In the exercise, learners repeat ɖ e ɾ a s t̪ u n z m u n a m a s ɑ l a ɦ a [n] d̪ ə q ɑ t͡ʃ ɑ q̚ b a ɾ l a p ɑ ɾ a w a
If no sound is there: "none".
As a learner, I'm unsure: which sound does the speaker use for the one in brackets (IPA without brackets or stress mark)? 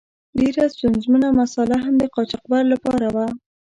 m